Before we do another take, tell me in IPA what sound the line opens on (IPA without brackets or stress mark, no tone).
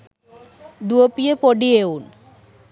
d̪